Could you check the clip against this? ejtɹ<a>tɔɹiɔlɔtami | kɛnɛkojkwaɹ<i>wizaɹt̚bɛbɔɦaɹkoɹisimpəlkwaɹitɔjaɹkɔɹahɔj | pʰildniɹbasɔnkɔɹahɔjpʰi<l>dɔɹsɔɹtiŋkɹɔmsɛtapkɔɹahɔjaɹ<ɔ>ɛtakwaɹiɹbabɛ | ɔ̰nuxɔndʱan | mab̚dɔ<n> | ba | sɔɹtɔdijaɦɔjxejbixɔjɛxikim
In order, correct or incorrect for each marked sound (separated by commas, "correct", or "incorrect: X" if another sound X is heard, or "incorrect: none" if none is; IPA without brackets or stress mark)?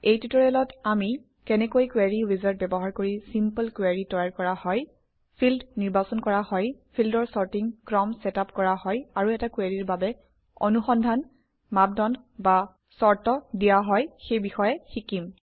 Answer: incorrect: i, correct, correct, incorrect: u, correct